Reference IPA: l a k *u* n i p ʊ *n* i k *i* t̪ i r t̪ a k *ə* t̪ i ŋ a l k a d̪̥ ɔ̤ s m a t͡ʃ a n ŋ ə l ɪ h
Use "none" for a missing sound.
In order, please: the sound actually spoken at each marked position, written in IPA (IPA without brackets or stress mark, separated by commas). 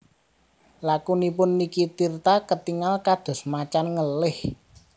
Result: u, nː, i, ə